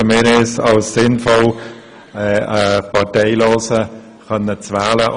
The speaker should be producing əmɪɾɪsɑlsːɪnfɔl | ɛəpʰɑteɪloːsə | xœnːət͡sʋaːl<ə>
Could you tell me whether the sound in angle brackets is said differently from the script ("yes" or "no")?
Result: no